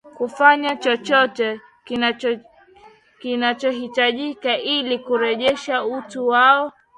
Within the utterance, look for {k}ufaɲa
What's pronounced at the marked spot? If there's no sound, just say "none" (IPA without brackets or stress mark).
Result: k